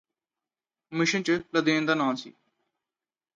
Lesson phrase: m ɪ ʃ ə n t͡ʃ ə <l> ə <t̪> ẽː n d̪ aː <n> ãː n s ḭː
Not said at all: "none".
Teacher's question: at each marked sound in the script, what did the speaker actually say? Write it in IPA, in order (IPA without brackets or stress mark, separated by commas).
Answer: l, d̪, n